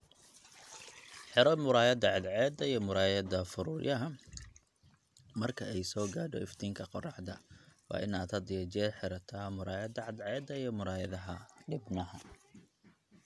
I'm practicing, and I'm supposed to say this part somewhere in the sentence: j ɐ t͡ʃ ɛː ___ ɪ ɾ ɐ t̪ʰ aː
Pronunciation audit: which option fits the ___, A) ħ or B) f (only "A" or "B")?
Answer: A